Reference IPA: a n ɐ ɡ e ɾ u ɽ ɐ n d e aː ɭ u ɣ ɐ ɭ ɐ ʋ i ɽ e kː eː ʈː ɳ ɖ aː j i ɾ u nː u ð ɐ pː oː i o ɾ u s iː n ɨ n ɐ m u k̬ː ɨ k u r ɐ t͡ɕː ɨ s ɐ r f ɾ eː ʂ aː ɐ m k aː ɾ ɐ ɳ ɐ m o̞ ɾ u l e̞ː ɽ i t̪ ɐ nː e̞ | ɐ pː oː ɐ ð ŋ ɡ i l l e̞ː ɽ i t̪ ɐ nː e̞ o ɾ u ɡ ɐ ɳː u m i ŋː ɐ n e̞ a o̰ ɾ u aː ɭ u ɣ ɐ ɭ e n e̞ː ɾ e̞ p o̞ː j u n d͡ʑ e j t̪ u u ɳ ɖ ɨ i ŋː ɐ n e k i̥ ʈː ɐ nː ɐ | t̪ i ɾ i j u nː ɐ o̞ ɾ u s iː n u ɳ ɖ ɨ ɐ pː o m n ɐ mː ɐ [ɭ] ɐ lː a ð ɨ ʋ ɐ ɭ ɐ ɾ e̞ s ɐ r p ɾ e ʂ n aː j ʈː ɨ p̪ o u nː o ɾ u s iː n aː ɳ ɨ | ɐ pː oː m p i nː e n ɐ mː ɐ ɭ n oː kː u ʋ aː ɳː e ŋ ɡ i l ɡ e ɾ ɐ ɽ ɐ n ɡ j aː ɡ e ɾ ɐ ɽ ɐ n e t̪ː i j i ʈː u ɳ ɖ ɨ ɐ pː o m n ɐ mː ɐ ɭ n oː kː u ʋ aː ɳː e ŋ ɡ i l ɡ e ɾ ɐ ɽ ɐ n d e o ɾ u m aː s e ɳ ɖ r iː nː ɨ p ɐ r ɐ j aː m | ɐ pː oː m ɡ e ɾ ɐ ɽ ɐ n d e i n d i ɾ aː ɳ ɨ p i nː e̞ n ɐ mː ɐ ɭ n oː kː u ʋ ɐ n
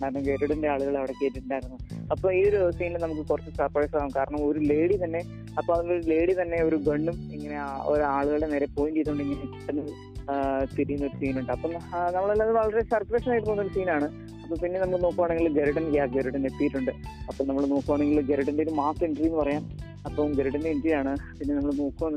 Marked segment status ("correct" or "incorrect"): correct